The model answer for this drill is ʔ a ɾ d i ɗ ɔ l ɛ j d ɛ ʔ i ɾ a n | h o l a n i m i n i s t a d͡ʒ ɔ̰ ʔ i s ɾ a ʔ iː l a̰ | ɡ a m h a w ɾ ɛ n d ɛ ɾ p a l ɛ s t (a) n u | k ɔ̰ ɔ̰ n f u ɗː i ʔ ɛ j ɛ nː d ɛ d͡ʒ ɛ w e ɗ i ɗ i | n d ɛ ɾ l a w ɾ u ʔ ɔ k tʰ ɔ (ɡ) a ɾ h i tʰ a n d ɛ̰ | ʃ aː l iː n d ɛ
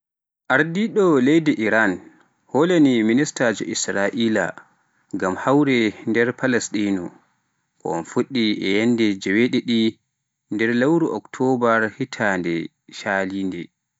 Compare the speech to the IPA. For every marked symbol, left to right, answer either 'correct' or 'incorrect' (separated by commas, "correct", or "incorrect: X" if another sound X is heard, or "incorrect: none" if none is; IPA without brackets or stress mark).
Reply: incorrect: i, incorrect: b